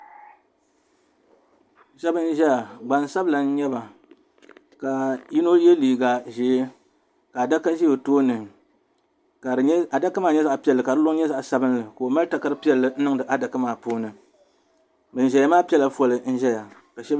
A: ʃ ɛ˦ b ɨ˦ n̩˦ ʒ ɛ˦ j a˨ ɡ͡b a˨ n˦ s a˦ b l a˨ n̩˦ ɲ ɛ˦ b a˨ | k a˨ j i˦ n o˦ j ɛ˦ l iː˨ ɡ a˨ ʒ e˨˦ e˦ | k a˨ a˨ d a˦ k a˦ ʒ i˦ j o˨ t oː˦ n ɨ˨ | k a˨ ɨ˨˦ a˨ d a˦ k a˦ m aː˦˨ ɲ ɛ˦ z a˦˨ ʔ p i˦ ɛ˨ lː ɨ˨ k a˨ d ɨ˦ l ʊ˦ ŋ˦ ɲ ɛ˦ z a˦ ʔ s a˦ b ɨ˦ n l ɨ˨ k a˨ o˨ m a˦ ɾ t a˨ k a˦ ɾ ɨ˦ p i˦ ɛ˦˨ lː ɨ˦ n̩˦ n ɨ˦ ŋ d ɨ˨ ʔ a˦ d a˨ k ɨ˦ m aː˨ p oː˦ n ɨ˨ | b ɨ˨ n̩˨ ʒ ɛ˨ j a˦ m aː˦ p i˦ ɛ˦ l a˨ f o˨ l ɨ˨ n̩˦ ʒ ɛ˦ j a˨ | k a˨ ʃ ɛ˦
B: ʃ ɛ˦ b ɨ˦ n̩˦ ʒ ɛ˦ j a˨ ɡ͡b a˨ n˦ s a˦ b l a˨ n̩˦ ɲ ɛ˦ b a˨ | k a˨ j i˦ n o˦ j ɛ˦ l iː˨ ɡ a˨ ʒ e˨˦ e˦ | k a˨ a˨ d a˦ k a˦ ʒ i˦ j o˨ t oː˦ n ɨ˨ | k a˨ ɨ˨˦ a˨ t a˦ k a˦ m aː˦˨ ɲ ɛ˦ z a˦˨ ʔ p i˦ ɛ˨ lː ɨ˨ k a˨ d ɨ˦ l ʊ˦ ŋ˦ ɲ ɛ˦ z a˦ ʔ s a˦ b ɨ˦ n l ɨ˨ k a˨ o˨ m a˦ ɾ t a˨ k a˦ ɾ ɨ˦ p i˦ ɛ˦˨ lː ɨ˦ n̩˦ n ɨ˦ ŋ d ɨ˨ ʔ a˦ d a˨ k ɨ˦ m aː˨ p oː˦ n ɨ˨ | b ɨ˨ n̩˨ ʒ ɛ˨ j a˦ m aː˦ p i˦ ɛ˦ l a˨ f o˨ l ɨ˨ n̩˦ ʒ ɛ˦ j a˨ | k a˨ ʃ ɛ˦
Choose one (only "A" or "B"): A